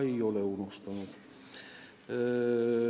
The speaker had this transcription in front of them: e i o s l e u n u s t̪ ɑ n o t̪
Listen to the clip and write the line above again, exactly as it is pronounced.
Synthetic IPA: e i o l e u n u s t̪ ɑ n u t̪